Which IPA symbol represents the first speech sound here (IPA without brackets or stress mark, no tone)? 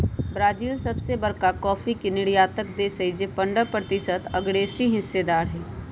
b